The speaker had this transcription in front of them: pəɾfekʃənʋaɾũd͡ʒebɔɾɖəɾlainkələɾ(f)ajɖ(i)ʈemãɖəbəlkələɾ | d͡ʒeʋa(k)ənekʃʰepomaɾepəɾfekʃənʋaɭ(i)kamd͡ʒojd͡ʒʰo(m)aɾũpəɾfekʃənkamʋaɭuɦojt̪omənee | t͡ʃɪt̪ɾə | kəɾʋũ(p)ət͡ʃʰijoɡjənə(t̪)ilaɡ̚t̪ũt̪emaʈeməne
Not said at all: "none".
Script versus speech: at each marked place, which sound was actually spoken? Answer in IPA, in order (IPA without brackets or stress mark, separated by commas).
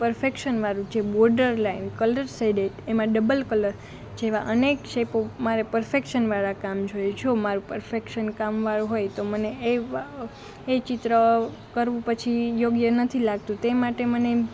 s, e, ʔ, a, m, p, t̪ʰ